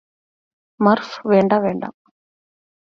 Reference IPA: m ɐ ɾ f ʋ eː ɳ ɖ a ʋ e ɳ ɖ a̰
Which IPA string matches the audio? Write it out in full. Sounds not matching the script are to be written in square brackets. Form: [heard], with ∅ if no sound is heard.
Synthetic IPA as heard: m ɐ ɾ f ʋ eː ɳ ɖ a ʋ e ɳ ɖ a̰